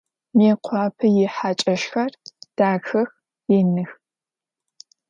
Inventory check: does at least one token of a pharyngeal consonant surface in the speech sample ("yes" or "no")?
yes